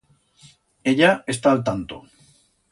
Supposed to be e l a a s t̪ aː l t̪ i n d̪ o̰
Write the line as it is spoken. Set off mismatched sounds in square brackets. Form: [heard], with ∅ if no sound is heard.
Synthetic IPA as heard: e [ʎ] a [e] s t̪ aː l t̪ [a] n [t̪] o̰